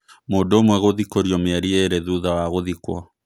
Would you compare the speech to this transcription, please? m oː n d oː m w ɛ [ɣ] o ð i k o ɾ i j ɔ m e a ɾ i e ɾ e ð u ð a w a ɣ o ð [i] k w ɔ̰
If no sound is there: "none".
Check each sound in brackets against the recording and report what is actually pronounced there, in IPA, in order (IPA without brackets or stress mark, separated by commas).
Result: ɣ, i